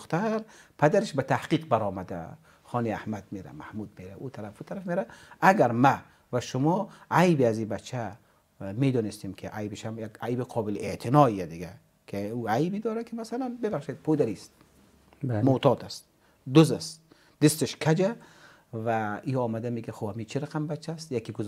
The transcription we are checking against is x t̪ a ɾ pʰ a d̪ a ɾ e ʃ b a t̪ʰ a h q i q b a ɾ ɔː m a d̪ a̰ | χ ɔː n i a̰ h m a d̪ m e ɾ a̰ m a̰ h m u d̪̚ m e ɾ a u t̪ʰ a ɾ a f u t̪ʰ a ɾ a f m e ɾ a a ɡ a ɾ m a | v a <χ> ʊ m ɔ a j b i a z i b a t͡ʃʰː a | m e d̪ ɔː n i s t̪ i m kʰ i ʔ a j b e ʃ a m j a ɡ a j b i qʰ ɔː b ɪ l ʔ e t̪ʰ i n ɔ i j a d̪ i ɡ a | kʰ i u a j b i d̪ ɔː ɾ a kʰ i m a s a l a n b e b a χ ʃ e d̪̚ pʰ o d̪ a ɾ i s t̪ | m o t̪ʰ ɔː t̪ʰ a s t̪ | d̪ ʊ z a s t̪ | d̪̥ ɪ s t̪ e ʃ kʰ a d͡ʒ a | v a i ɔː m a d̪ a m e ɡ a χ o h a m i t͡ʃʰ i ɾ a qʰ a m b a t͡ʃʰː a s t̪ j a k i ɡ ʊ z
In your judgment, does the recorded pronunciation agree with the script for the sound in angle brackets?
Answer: no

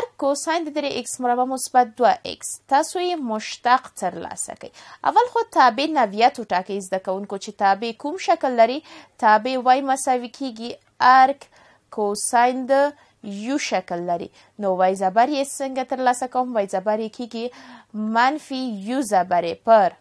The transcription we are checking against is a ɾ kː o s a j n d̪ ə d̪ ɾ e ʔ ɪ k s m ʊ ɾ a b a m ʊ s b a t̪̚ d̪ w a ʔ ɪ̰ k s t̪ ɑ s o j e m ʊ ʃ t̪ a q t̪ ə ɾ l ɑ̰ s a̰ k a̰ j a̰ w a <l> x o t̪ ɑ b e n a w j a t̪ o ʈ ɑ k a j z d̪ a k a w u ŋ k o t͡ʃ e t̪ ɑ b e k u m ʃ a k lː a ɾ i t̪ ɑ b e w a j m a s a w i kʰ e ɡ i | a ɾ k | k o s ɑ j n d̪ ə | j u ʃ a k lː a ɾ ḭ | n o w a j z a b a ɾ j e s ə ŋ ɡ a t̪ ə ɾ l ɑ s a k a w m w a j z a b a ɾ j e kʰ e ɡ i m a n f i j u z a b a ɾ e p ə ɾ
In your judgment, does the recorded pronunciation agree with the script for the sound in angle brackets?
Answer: yes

